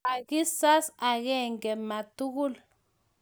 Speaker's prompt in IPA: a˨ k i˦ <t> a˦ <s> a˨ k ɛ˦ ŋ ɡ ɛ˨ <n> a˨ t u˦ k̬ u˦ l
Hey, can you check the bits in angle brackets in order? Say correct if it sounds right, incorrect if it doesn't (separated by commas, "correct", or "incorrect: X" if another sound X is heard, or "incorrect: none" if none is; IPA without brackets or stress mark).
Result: incorrect: s, correct, incorrect: m